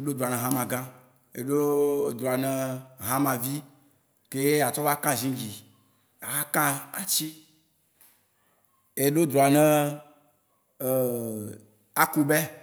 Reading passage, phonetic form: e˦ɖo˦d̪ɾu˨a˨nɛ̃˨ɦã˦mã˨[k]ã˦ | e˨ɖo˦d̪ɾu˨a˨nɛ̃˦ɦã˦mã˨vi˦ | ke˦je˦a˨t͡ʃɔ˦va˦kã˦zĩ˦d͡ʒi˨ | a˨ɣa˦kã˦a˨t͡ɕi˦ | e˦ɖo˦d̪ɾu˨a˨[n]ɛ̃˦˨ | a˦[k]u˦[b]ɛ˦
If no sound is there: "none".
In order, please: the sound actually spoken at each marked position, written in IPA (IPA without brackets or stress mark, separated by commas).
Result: ɡ, n, k, b